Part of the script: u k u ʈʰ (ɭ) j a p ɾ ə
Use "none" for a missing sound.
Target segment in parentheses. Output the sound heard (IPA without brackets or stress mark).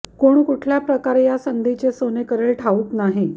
l